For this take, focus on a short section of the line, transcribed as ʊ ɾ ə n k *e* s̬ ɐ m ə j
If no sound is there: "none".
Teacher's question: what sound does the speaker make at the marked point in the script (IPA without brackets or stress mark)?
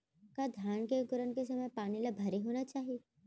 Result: e